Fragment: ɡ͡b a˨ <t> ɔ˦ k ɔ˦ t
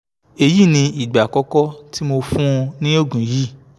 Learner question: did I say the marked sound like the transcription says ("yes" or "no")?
no